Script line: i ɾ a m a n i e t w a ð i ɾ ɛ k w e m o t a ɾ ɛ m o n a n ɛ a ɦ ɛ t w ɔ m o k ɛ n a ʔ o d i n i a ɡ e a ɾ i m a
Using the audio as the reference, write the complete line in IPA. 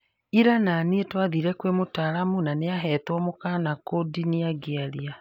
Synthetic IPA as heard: i ɾ a n a n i e t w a ð i ɾ ɛ k w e m o t a ɾ a m u n a n e a ɦ ɛ t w ɔ m o k a n a k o d i n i a ɡ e a ɾ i a